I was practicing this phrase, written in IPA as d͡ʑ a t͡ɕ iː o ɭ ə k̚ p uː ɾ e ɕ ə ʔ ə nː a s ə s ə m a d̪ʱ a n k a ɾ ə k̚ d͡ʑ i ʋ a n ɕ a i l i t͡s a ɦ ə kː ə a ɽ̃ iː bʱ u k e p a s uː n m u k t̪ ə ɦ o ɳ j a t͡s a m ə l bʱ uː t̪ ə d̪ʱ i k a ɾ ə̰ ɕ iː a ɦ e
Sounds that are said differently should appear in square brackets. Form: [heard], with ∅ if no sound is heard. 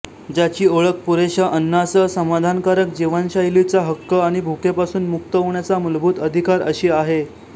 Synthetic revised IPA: d͡ʑ a t͡ɕ iː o ɭ ə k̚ p [u] ɾ e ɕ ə ʔ ə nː a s ə s ə m a d̪ʱ a n k a ɾ ə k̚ d͡ʑ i ʋ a n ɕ a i l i t͡s a ɦ ə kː ə a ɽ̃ [i] bʱ u k e p a s uː n m u k t̪ ə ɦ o ɳ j a t͡s a m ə l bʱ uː t̪ ə d̪ʱ i k a ɾ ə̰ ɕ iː a ɦ e

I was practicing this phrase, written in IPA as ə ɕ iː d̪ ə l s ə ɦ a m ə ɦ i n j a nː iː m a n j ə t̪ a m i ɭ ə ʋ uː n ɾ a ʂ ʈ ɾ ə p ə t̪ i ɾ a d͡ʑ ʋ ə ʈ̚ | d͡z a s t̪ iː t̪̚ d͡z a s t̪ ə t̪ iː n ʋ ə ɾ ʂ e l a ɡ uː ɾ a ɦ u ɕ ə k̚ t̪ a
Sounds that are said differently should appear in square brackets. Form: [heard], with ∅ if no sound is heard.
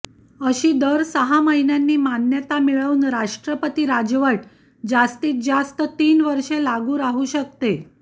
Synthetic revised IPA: ə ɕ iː d̪ ə [ɾ] s ə ɦ a m ə ɦ i n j a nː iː m a n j ə t̪ a m i ɭ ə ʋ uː n ɾ a ʂ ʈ ɾ ə p ə t̪ i ɾ a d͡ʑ ʋ ə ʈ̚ | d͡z a s t̪ iː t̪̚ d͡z a s t̪ ə t̪ iː n ʋ ə ɾ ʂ e l a ɡ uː ɾ a ɦ u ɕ ə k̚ t̪ [e]

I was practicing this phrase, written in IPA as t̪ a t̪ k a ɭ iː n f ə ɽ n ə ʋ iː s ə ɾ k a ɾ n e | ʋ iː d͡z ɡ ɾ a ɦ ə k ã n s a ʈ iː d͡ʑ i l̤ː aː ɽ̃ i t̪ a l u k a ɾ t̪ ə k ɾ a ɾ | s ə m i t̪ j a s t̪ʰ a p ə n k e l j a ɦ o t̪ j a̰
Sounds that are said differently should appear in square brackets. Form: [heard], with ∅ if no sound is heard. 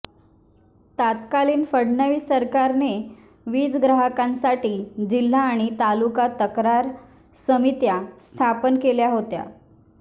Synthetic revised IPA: t̪ a t̪ k a [l] iː n f ə ɽ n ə ʋ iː s ə ɾ k a ɾ n e | ʋ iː d͡z ɡ ɾ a ɦ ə k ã n s a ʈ iː d͡ʑ i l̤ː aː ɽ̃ i t̪ a l u k a [∅] t̪ ə k ɾ a ɾ | s ə m i t̪ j a s t̪ʰ a p ə n k e l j a ɦ o t̪ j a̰

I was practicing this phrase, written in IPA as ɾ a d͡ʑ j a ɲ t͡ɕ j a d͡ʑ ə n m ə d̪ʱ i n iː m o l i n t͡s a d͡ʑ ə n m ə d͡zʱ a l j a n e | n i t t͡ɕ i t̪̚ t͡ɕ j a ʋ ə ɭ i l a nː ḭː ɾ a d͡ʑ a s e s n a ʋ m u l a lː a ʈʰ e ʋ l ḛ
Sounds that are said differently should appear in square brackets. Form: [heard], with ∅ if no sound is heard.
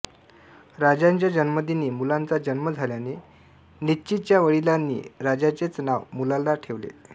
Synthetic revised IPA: ɾ a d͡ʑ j a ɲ t͡ɕ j a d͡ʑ ə n m ə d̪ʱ i n iː m [u] l [a] n t͡s a d͡ʑ ə n m ə d͡zʱ a l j a n e | n i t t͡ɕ i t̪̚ t͡ɕ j a ʋ ə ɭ i l a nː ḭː ɾ a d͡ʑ a [t͡s] e [t͡s] n a ʋ m u l a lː a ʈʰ e ʋ l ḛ

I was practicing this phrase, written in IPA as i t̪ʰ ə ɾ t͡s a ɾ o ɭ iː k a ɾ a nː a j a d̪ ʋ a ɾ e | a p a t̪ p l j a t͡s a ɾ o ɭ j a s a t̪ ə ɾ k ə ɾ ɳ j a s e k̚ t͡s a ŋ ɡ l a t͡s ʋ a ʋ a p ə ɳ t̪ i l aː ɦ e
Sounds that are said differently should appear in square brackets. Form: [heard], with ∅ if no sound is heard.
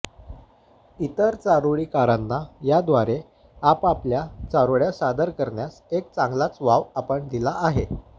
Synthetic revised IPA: i [t̪] ə ɾ t͡s a ɾ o ɭ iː k a ɾ a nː a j a d̪ ʋ a ɾ e | a p a [∅] p l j a t͡s a ɾ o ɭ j a s a [d̪] ə ɾ k ə ɾ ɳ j a s e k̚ t͡s a ŋ ɡ l a t͡s ʋ a ʋ a p ə ɳ [d̪] i l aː ɦ e

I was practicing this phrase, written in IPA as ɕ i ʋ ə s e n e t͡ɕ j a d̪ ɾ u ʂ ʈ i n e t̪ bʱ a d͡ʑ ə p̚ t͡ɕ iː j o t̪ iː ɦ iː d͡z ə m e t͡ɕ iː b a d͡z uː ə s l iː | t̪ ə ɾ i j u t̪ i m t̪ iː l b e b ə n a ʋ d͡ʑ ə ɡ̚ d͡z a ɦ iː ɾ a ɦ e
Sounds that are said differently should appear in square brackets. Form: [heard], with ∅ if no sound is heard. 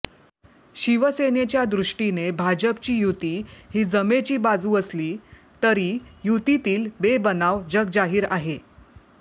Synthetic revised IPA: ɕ i ʋ ə s e n e t͡ɕ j a d̪ ɾ u ʂ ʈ i n e [∅] bʱ a d͡ʑ ə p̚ t͡ɕ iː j [u] t̪ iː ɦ iː d͡z ə m e t͡ɕ iː b a d͡z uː ə s l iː | t̪ ə ɾ i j u t̪ i [∅] t̪ iː l b e b ə n a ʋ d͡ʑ ə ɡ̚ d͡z a ɦ iː ɾ a ɦ e

